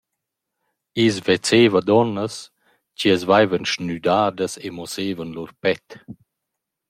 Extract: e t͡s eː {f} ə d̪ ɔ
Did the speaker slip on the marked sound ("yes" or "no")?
yes